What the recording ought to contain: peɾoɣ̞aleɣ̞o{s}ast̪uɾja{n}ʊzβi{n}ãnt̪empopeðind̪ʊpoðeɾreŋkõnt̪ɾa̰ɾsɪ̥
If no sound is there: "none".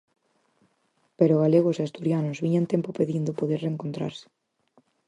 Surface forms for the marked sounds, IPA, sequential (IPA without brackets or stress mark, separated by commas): s, n, ɲ